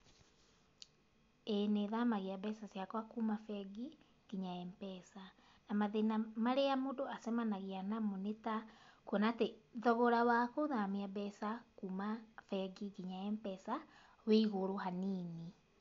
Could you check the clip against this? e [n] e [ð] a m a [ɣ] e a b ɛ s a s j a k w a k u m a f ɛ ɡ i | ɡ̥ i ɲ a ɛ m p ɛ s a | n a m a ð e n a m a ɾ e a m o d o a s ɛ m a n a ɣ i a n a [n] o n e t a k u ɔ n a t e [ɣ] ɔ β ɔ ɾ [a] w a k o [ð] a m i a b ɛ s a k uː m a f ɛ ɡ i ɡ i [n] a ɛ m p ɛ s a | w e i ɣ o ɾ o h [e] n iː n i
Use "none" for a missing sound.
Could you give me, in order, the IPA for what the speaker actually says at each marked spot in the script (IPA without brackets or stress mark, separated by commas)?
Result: n, ð, ɣ, m, ð, a, ð, ɲ, a